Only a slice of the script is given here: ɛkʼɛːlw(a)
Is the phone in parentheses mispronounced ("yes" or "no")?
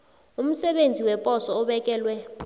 yes